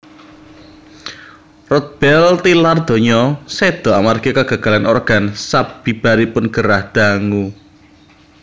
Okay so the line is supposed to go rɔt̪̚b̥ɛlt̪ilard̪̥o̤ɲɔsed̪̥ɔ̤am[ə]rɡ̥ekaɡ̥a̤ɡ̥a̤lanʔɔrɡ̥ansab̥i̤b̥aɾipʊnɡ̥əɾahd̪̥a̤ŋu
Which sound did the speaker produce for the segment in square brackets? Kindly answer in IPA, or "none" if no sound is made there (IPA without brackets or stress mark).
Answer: a